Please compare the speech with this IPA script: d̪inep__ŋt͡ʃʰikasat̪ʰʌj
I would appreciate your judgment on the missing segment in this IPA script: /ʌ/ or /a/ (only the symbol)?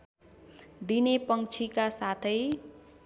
ʌ